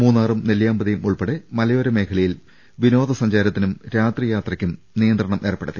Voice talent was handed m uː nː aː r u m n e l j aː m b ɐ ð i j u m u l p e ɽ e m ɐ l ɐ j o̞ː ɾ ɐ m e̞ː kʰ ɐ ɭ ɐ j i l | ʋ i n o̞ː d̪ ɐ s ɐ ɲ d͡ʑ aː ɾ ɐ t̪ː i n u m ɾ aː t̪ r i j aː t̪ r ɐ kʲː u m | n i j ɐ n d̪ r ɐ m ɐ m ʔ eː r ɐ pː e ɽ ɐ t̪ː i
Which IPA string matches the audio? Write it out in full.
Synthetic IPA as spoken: m uː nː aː r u m n e l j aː m b ɐ ð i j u m u ɭ p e ɽ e m ɐ l ɐ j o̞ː ɾ ɐ m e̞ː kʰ ɐ ɭ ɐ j i l | ʋ i n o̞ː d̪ ɐ s ɐ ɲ d͡ʑ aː ɾ ɐ t̪ː i n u m ɾ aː t̪ r i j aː t̪ r ɐ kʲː u m | n i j ɐ n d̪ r ɐ ɳ ɐ m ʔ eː r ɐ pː e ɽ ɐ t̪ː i